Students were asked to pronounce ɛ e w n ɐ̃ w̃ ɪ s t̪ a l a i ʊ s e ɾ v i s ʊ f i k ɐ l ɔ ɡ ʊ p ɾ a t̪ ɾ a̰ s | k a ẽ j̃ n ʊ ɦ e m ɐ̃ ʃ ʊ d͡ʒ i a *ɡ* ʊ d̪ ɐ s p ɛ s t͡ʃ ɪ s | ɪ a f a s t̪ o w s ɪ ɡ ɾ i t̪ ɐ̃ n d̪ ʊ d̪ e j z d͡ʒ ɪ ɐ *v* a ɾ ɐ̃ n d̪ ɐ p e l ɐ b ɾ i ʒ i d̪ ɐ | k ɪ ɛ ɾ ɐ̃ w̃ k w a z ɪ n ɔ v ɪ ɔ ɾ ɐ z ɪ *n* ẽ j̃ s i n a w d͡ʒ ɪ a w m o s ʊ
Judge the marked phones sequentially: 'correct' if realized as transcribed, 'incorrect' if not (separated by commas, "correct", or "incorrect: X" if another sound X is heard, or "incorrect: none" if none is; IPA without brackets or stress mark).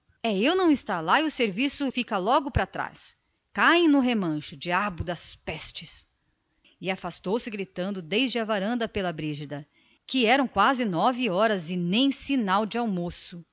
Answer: incorrect: b, correct, correct